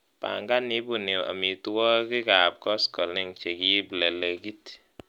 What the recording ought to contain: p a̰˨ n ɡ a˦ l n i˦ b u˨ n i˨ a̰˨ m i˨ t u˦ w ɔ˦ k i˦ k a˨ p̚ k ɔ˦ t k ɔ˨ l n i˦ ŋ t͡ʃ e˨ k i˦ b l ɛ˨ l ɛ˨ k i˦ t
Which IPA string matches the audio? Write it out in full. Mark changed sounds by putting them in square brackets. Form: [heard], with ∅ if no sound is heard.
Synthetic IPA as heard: p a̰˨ [ŋ] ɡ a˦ [∅] n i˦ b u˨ n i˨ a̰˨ m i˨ t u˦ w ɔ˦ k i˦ k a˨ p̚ k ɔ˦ [s] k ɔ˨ l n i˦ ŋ t͡ʃ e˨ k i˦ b l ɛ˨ l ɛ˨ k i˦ t

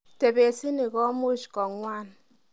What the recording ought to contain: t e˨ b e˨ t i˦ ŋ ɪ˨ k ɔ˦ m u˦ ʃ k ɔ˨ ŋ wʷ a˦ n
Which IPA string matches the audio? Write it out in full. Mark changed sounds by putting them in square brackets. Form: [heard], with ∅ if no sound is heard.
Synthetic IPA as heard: t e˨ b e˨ [s] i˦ [n] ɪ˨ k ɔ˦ m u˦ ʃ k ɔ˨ ŋ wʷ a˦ n

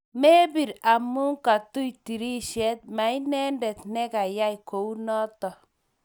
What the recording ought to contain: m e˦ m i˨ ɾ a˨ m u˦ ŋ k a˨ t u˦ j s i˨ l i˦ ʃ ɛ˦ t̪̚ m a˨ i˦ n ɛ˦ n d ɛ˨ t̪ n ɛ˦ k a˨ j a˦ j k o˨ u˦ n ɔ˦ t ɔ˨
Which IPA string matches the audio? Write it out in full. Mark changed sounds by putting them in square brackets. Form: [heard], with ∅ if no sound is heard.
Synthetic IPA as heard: m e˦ [b] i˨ ɾ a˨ m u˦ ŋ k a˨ t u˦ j [t] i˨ [ɾ] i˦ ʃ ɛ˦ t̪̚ m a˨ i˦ n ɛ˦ n d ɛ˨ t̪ n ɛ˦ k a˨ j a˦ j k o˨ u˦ n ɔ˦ t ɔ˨

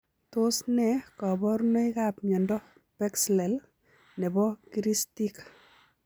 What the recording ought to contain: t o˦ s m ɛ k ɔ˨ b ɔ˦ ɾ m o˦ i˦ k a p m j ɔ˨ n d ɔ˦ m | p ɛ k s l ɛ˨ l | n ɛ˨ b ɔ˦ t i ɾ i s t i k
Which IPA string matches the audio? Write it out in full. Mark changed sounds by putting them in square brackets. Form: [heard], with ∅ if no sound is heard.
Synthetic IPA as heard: t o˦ s [n] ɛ k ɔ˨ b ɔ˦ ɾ [n] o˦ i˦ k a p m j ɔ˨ n d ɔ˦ [∅] | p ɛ k s l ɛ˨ l | n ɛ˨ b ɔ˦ [k] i ɾ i s t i k

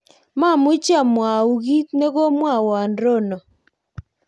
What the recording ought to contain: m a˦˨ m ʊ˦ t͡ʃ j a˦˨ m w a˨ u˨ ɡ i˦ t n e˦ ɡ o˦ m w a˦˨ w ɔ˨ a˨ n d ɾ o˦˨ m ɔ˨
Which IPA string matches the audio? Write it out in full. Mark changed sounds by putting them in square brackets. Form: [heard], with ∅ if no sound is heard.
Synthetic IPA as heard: m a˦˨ m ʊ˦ t͡ʃ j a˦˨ m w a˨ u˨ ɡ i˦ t n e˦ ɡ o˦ m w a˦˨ w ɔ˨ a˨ n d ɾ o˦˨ [n] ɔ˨

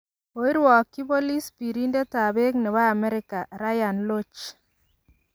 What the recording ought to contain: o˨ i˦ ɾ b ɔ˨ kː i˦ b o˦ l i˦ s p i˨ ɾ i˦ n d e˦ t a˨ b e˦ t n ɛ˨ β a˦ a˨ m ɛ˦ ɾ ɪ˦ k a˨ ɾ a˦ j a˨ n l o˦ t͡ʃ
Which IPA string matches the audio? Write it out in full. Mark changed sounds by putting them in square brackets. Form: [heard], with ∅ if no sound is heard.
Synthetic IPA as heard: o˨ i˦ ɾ [w] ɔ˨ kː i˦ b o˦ l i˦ s p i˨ ɾ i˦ n d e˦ t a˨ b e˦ [k] n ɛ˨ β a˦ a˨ m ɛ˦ ɾ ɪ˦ k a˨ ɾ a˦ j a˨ n l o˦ t͡ʃ

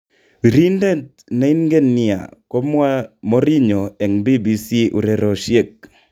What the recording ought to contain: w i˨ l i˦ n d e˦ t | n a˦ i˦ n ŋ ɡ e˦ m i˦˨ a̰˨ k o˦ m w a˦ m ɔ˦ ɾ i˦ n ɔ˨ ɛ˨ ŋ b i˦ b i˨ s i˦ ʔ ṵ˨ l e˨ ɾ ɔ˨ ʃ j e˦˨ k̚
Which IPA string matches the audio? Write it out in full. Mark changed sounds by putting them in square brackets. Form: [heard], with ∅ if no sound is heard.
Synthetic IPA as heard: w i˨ [ɾ] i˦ n d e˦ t | n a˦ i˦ n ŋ ɡ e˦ [n] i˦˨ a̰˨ k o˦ m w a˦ m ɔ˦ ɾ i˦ [ɲ] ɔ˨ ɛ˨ ŋ b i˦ b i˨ s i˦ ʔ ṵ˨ [ɾ] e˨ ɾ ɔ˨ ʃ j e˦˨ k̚

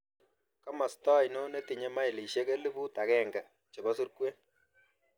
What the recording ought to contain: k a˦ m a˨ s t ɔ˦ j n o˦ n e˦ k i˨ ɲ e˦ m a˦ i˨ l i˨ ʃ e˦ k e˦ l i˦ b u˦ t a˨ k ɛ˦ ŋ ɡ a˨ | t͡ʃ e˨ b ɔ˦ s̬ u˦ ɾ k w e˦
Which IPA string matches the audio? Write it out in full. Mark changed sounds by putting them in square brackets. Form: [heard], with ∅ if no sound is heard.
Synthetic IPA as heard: k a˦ m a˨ s t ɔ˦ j n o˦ n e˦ [t] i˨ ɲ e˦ m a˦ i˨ l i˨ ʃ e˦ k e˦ l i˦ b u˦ t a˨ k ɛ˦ ŋ ɡ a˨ | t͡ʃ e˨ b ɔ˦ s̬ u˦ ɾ k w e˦

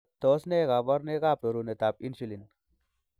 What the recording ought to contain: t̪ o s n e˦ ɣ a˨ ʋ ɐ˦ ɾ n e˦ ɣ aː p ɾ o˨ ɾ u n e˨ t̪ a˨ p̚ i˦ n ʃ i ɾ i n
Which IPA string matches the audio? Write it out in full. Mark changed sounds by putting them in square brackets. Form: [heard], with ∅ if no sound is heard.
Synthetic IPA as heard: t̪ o s n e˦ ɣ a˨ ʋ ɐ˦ ɾ n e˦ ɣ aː p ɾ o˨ ɾ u n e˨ t̪ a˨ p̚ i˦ n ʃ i [l] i n

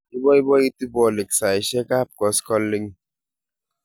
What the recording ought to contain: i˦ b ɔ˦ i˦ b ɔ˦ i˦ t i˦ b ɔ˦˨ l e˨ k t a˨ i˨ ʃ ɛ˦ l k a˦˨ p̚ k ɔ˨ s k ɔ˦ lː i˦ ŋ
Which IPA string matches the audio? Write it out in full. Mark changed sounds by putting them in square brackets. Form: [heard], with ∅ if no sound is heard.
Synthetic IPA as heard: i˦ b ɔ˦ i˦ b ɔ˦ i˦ t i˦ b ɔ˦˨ l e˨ k [s] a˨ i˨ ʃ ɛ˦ [∅] k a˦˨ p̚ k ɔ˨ s k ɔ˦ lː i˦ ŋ

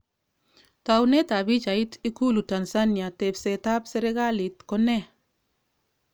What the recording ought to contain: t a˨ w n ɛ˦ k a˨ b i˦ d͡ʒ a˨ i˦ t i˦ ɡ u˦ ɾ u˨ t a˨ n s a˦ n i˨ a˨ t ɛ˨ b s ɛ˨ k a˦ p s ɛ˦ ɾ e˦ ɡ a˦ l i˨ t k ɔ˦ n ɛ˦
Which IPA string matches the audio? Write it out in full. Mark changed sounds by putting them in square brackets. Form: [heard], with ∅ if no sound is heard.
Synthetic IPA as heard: t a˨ w n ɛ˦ [t] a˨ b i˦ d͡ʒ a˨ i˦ t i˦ [k] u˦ [l] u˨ t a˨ n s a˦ n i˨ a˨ t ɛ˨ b s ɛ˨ [t] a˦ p s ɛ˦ ɾ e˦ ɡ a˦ l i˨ t k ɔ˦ n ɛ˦

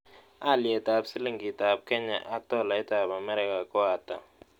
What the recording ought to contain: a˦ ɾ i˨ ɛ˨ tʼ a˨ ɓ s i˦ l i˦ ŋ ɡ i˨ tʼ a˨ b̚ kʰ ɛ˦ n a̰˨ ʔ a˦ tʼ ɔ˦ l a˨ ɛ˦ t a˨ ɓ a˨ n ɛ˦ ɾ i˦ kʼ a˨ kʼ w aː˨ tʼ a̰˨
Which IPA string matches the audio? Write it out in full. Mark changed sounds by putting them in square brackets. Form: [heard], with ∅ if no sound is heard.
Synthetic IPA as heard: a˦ [l] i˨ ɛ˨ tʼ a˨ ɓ s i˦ l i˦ ŋ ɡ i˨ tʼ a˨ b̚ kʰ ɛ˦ [ɲ] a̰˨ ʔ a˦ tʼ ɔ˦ l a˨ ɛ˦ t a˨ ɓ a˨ [m] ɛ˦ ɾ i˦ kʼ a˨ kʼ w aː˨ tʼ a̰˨

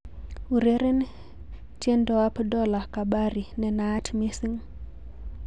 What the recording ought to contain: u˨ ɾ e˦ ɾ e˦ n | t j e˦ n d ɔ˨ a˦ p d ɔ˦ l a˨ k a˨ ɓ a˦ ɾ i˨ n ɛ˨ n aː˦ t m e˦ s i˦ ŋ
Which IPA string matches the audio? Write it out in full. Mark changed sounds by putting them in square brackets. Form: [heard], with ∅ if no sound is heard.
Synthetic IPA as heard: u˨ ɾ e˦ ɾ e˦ n | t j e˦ n d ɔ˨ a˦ p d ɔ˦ l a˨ k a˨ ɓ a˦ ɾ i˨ n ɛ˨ n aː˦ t m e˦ s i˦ ŋ

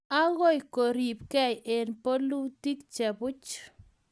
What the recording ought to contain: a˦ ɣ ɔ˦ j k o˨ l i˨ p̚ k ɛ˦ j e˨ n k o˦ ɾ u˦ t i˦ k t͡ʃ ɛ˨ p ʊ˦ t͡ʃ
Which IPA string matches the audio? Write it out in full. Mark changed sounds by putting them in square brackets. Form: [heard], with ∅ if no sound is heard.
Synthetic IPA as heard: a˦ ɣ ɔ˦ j k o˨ [ɾ] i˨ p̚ k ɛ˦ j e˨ n [p] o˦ [l] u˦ t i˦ k t͡ʃ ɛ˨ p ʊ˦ t͡ʃ

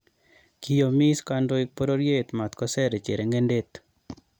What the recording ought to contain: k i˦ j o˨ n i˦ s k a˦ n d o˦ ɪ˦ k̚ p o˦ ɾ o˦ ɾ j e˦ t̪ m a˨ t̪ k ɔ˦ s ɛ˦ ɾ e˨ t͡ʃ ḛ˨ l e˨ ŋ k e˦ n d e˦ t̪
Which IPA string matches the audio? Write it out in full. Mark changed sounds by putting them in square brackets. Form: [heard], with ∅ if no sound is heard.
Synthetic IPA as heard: k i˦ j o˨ [m] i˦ s k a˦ n d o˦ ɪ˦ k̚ p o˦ ɾ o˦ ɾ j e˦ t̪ m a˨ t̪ k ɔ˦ s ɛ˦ ɾ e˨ t͡ʃ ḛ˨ [ɾ] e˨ ŋ [ɡ] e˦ n d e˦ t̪

